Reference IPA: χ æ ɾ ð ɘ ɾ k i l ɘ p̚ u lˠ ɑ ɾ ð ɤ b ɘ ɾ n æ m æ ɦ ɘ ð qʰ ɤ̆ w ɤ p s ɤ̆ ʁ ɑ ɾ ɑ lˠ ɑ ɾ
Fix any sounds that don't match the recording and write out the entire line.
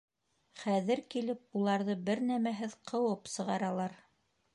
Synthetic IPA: χ æ ð ɘ ɾ k i l ɘ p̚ u lˠ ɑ ɾ ð ɤ b ɘ ɾ n æ m æ ɦ ɘ ð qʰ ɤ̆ w ɤ p s ɤ̆ ʁ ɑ ɾ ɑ lˠ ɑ ɾ